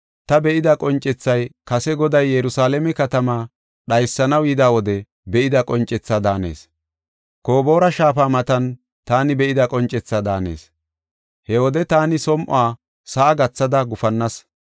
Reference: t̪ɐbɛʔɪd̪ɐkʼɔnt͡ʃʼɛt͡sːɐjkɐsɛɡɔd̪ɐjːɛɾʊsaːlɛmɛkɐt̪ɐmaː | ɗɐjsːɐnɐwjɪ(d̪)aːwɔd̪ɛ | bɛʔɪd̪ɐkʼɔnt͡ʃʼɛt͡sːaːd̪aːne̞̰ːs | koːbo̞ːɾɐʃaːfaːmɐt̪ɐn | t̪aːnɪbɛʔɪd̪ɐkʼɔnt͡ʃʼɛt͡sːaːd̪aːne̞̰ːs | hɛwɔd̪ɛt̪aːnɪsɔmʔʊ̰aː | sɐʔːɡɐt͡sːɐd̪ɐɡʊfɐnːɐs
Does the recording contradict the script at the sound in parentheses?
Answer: no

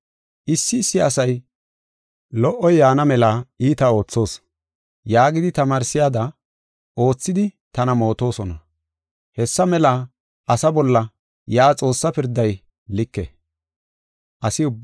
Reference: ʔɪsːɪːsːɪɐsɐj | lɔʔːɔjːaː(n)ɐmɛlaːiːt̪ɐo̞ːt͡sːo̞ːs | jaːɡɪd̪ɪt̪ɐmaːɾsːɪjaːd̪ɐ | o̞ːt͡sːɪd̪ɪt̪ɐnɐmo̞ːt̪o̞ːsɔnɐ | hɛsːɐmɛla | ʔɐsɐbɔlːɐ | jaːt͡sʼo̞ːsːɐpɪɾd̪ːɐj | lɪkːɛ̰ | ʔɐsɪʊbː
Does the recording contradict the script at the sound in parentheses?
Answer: no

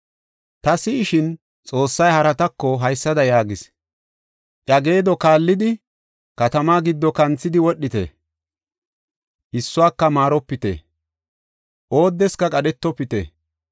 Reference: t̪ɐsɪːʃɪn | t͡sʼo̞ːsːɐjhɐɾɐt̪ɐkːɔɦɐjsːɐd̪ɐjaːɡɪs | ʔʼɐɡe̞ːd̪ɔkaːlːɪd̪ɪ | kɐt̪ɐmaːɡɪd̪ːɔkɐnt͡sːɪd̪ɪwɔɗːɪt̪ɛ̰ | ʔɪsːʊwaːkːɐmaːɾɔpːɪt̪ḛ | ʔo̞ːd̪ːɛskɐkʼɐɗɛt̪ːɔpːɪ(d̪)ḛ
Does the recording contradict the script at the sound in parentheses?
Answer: yes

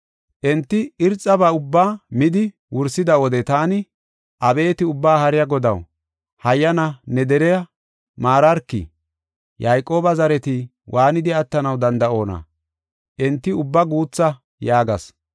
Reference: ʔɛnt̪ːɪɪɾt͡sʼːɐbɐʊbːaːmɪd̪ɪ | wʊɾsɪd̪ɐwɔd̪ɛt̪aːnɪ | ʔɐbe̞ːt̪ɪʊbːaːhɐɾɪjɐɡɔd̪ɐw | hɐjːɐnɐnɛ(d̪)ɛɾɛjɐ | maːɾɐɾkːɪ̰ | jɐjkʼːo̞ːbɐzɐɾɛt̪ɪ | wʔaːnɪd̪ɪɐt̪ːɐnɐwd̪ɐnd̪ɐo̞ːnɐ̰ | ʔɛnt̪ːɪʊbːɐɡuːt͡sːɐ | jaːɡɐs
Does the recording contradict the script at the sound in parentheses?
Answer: no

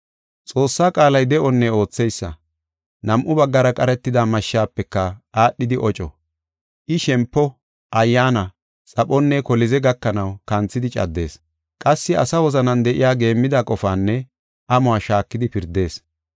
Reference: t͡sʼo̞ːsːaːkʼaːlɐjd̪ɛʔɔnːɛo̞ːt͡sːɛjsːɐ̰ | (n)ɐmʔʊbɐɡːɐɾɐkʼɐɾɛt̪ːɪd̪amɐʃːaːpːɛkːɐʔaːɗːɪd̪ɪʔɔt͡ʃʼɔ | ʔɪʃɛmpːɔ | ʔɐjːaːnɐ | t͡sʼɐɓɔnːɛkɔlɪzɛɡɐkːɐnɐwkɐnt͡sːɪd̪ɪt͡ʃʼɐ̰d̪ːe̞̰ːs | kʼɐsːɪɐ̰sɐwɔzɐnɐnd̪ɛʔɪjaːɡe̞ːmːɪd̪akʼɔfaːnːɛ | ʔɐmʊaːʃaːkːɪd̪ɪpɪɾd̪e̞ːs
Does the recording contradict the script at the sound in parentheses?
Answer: no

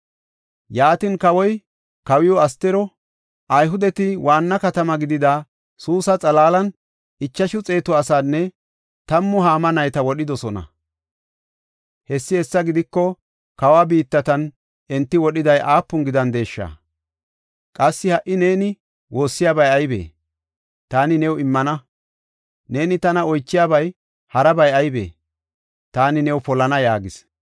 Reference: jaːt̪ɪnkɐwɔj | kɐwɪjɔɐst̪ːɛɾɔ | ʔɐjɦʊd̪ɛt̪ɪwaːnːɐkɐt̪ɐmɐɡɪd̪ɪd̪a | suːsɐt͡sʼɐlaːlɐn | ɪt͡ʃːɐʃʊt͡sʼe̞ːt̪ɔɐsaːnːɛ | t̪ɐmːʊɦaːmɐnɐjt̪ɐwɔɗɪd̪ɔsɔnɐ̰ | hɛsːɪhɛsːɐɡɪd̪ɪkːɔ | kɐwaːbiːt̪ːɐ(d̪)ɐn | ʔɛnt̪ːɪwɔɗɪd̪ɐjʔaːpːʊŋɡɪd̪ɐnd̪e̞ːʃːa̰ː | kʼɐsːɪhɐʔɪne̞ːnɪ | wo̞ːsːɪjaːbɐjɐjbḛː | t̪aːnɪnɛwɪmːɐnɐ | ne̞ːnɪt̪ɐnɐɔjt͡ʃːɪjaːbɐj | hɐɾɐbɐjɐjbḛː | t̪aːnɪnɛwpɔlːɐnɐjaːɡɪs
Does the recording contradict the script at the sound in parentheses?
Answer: yes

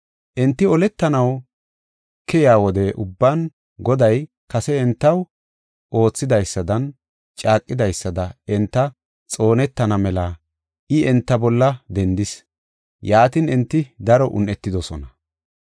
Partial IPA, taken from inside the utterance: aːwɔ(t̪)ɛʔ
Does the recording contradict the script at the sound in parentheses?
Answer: yes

